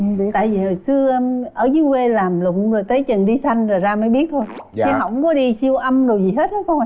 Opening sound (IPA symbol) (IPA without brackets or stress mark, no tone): t̪